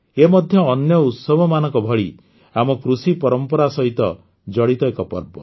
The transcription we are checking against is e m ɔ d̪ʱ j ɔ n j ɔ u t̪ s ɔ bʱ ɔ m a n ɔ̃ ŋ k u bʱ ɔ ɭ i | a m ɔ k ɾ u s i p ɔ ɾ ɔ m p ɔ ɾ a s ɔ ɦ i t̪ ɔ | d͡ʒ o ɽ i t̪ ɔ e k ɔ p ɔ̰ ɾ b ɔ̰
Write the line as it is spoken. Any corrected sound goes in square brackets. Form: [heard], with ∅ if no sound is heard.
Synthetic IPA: e m ɔ d̪ʱ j [ɔː] n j ɔ u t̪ s ɔ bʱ ɔ m a n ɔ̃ ŋ k [ɔ] bʱ ɔ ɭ i | a m ɔ k ɾ u s i p ɔ ɾ ɔ m p ɔ ɾ a s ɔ ɦ i t̪ ɔ | d͡ʒ [ɔ] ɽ i t̪ ɔ e k ɔ p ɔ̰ ɾ b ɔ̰